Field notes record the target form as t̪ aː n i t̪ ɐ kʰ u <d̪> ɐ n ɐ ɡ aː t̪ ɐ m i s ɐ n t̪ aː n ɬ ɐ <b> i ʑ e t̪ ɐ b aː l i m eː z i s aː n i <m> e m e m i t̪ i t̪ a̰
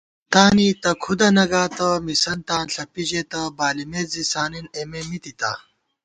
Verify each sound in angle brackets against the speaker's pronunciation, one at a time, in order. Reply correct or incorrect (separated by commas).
correct, incorrect, incorrect